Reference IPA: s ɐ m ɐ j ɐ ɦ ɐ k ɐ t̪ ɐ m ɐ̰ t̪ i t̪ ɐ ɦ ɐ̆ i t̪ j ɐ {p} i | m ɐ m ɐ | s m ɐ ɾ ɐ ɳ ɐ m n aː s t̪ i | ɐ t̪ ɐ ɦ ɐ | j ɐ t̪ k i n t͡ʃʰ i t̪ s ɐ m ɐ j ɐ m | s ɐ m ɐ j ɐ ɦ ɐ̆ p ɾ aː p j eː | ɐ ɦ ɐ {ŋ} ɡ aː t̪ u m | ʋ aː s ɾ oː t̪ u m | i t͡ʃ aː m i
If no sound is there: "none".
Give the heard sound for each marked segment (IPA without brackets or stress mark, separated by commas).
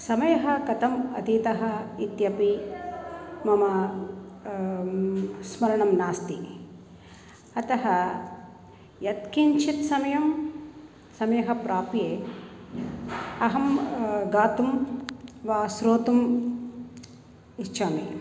p, m